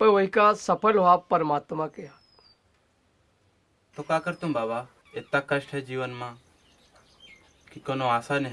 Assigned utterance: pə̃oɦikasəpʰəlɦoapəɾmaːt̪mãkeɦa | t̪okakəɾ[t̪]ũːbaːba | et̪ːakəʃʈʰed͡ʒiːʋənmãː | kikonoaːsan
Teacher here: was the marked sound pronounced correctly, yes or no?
yes